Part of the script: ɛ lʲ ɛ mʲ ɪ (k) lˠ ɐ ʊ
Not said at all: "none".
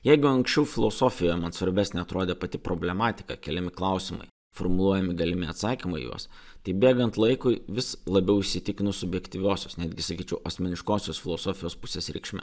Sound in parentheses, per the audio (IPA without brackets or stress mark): k